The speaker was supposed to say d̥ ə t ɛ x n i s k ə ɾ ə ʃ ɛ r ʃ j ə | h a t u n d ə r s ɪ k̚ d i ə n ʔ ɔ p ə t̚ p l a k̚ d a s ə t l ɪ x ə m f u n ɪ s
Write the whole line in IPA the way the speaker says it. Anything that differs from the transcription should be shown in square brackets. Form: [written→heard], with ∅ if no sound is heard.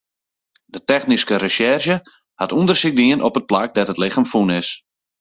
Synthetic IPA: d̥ ə t ɛ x n i s k ə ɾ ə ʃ ɛ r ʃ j ə | h a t u n d ə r s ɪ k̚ d i ə n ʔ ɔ p ə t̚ p l a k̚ d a [s→t] ə t l ɪ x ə m f u n ɪ s